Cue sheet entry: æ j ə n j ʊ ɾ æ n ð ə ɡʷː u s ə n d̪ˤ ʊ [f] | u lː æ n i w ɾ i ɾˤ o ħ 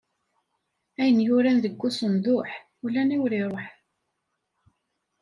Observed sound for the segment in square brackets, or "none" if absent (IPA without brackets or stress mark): ħ